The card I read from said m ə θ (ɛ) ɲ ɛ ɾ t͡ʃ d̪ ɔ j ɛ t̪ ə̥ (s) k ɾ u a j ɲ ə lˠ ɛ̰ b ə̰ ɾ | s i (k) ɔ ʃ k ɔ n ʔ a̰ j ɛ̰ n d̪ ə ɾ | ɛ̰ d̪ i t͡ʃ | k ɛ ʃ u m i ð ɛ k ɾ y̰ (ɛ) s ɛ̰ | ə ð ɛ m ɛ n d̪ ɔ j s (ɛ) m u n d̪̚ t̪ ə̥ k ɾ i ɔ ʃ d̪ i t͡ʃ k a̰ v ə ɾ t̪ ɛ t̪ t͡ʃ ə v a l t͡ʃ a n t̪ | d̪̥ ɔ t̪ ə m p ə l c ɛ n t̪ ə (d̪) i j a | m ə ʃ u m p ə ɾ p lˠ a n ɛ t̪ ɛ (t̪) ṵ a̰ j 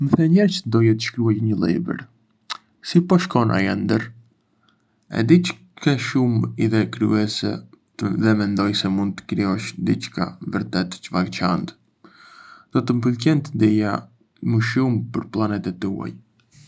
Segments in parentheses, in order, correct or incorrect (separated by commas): correct, incorrect, incorrect, correct, correct, correct, correct